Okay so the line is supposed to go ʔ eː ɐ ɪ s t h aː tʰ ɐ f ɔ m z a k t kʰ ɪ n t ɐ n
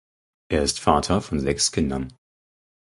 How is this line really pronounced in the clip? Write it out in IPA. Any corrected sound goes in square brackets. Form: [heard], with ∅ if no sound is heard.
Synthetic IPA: ʔ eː ɐ ɪ s t [f] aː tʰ ɐ f ɔ [n] z [ɛ] k [s] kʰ ɪ n [d] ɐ n